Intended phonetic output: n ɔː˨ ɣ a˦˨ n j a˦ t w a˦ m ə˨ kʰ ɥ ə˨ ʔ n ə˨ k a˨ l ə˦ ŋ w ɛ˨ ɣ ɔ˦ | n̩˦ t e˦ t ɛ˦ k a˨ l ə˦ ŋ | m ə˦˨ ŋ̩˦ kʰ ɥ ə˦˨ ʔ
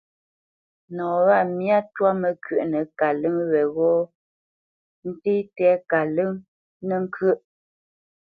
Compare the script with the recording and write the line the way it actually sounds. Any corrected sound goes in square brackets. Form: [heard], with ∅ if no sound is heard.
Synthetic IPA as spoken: n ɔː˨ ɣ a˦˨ [m] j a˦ t w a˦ m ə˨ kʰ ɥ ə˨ ʔ n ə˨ k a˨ l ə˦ ŋ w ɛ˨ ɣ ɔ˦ | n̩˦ t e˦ t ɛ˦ k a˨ l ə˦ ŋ | [n] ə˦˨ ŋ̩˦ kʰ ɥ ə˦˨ ʔ